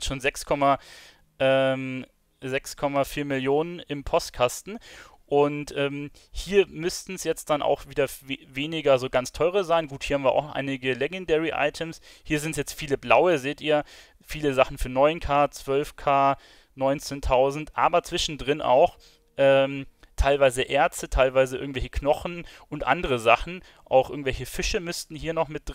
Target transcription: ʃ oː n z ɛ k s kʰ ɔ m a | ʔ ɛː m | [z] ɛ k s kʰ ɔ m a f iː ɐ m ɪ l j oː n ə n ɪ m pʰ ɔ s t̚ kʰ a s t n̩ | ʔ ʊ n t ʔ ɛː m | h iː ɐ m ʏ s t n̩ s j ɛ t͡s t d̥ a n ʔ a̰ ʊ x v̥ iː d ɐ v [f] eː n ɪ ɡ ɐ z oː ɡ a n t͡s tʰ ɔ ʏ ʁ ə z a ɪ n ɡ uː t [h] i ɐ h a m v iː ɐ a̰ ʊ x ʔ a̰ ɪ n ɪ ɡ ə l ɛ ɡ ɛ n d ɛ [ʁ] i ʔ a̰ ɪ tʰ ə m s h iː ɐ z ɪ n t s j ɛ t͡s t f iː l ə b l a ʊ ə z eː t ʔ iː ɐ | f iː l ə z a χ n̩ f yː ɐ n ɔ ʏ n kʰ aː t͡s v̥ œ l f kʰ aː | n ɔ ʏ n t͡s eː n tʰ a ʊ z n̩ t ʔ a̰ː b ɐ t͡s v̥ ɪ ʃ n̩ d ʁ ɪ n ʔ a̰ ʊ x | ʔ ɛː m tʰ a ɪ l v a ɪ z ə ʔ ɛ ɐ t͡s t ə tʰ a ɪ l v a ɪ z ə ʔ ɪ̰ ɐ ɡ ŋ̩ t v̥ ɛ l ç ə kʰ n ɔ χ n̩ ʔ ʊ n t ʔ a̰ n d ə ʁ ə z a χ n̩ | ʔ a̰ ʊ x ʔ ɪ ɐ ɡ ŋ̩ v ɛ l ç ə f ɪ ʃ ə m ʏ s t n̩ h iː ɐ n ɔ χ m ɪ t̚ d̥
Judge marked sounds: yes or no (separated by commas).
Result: yes, no, yes, yes